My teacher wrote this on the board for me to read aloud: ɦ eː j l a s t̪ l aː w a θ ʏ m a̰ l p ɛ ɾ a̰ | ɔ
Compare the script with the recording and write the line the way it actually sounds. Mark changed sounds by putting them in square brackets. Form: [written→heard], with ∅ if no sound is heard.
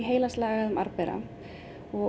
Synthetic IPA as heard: ɦ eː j l a s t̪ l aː [w→ɣ] a [θ→ð] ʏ m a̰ [l→ɾ] p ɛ ɾ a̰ | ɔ

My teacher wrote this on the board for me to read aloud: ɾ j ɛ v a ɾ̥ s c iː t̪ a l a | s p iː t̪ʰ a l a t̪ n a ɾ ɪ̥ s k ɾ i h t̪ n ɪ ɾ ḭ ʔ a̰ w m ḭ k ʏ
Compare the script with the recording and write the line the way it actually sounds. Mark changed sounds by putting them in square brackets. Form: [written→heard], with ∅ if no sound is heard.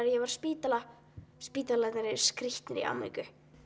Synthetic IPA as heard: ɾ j ɛ v a ɾ̥ s [c→p] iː t̪ a l a | s p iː [t̪ʰ→t̪] a l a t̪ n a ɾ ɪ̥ s k ɾ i h t̪ n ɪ ɾ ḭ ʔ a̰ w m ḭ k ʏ

